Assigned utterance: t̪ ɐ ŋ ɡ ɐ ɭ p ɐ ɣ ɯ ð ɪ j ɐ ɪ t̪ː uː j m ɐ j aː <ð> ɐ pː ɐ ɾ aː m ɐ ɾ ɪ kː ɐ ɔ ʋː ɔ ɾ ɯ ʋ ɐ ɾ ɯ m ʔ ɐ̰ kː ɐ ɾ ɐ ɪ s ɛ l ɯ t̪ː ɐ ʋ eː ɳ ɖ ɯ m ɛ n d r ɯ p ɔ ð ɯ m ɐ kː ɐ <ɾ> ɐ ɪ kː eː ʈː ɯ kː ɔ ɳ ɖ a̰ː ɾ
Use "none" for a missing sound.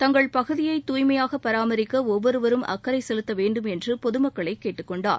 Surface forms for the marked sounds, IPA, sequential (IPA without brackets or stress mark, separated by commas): ɣ, ɭ